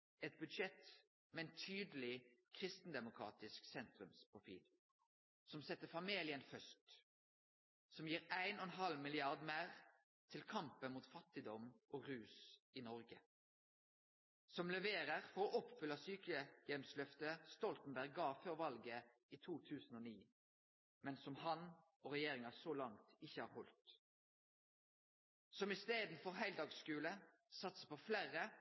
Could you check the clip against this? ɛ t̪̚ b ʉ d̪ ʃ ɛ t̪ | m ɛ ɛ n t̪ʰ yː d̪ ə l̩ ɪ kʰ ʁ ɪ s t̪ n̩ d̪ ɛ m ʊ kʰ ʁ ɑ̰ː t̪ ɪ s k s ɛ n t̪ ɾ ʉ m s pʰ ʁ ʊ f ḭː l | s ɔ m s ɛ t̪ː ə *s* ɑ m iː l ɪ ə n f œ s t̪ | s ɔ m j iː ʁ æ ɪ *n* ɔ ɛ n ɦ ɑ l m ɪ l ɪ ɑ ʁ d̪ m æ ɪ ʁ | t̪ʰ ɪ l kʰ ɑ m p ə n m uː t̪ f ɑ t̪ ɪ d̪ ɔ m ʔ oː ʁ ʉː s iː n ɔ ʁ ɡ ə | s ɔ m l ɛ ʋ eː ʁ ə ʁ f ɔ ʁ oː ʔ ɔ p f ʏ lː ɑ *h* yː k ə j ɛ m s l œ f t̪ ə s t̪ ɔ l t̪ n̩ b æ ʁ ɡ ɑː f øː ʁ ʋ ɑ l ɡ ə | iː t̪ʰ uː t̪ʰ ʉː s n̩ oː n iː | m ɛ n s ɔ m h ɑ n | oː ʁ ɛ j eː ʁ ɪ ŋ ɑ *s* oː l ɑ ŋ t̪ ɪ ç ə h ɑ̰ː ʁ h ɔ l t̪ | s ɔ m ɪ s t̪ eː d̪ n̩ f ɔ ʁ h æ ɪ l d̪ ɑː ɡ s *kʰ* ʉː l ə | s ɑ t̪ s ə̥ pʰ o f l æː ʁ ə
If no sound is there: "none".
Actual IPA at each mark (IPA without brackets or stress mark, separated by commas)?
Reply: f, n, s, s, k